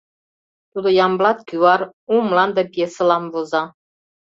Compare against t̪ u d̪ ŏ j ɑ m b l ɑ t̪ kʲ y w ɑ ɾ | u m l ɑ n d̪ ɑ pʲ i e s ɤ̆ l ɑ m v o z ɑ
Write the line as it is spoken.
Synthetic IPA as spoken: t̪ u d̪ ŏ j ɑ m b l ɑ t̪ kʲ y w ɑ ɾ | u m l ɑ n d̪ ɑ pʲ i e s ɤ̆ l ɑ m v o z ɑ

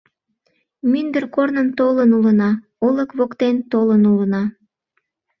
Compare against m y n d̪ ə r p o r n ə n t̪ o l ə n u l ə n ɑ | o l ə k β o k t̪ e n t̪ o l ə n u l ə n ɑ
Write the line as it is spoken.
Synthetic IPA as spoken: m y n d̪ ə r k o r n ə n t̪ o l ə n u l ə n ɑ | o l ə k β o k t̪ e n t̪ o l ə n u l ə n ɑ

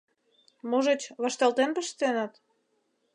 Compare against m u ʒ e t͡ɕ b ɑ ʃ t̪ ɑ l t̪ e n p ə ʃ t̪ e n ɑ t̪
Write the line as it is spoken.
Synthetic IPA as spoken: m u ʒ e t͡ɕ β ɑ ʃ t̪ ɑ l t̪ e n p ə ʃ t̪ e n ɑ t̪

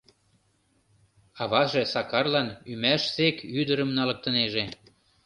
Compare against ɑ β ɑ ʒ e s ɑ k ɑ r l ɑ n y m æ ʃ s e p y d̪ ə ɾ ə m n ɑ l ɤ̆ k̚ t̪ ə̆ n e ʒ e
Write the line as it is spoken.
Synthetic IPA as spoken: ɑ β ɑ ʒ e s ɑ k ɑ r l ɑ n y m æ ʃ s e k y d̪ ə ɾ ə m n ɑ l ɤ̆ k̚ t̪ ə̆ n e ʒ e

